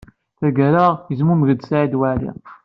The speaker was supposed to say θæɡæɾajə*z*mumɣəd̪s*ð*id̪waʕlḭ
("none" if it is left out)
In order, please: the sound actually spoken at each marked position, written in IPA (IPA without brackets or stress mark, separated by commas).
z, ʕ